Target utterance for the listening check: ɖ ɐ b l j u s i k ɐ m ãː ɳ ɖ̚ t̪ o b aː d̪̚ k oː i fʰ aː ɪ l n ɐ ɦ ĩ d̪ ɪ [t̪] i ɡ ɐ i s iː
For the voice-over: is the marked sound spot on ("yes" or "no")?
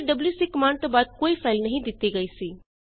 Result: yes